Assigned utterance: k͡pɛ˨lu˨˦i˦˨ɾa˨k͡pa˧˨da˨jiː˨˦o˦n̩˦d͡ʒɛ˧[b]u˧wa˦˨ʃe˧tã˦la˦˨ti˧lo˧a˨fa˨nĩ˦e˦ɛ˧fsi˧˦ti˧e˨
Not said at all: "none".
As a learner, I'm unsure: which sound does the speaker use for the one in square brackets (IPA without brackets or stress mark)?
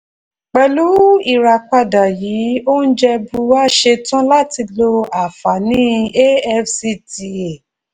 b